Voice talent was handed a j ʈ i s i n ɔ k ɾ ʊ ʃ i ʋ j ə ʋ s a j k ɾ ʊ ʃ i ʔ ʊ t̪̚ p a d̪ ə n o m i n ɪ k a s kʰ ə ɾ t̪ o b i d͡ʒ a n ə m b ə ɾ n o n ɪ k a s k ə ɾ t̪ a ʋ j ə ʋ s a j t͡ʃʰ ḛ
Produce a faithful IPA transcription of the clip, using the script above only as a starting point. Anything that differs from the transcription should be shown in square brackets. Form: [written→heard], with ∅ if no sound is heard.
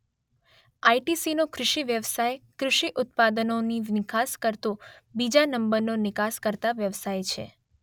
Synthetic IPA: a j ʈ i s i n [ɔ→o] k ɾ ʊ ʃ i ʋ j ə ʋ s a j k ɾ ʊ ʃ i ʔ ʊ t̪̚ p a d̪ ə n o [m→n] i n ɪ k a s [kʰ→k] ə ɾ t̪ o b i d͡ʒ a n ə m b ə ɾ n o n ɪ k a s k ə ɾ t̪ a ʋ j ə ʋ s a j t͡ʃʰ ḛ